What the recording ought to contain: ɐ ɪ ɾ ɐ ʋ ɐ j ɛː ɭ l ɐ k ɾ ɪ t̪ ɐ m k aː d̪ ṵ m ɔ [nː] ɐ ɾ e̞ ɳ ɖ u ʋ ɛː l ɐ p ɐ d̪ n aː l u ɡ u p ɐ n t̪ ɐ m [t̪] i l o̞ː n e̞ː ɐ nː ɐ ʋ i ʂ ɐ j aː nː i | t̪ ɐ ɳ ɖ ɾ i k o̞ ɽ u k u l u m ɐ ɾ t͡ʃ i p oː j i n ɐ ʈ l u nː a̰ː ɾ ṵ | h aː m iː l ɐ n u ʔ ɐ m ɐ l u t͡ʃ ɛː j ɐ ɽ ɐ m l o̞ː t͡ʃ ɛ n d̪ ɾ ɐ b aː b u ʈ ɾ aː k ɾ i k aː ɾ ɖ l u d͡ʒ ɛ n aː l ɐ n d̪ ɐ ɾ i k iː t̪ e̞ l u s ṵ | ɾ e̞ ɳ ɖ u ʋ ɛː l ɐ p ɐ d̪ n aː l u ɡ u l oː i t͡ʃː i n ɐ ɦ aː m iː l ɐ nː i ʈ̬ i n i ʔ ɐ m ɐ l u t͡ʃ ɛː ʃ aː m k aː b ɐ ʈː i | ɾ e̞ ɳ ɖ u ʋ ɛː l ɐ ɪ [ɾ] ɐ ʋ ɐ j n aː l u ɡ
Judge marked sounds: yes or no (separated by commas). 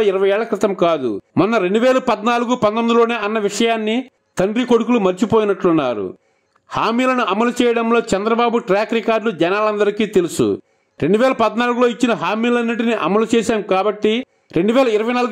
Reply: yes, no, yes